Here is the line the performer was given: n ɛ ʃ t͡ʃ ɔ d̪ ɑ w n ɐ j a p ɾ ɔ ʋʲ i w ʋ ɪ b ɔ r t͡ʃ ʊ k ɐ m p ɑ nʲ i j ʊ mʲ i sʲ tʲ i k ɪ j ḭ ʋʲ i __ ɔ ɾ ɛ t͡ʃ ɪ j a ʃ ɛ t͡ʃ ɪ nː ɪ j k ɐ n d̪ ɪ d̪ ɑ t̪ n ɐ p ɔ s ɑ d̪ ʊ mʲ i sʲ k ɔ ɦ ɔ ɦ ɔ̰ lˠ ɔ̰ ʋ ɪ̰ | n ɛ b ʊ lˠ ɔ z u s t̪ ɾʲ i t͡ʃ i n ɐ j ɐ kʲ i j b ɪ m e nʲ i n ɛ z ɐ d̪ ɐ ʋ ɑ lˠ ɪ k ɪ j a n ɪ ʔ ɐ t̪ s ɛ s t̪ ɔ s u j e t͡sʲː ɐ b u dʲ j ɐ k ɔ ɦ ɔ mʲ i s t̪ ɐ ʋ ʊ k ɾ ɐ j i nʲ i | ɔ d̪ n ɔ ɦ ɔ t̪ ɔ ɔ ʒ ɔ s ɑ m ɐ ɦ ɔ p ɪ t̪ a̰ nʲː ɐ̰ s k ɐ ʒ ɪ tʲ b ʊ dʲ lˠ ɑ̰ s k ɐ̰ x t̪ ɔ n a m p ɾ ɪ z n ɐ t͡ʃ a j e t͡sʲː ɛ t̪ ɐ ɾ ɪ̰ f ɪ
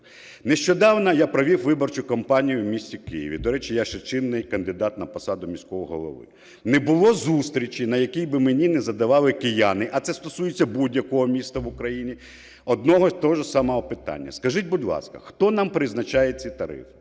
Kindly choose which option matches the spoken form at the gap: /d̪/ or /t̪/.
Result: d̪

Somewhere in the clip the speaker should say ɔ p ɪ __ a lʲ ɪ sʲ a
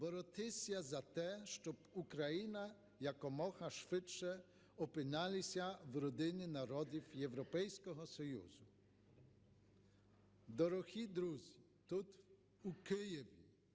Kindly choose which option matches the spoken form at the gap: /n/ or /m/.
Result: n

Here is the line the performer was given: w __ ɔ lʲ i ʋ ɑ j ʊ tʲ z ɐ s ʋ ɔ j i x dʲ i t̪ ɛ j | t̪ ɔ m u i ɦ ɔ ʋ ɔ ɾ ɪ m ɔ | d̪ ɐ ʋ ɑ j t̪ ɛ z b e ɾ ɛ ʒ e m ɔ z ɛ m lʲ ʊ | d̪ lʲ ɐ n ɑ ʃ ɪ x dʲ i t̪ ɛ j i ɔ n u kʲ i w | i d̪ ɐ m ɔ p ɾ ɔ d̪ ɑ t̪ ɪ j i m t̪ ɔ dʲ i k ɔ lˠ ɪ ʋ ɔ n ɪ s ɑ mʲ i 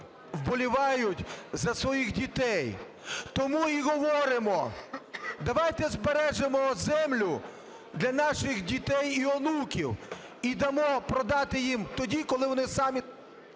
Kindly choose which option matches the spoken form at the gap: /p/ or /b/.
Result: b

